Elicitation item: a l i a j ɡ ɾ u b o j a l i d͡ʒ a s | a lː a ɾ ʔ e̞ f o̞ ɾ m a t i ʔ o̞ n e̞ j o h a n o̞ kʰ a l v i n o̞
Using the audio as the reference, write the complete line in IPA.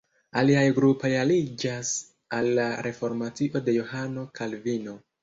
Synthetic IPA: a l i a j ɡ ɾ u p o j a l i d͡ʒ a s | a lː a ɾ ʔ e̞ f o̞ ɾ m a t i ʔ o̞ d e̞ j o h a n o̞ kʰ a l v i n o̞